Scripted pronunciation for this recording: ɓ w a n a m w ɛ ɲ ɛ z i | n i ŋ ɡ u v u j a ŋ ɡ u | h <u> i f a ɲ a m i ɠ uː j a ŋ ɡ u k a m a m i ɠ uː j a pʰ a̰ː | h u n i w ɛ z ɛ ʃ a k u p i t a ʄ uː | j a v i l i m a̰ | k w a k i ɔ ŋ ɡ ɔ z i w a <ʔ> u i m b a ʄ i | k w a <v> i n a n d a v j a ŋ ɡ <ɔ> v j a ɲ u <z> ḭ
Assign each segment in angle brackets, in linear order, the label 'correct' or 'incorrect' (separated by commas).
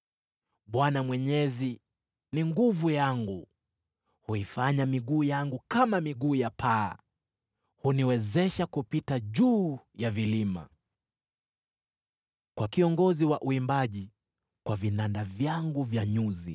correct, correct, correct, incorrect, correct